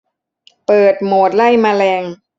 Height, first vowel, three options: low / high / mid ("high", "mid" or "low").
mid